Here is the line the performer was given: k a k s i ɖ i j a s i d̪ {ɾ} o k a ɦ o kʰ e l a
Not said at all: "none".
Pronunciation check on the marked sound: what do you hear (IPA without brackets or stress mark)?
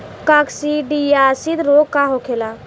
ɾ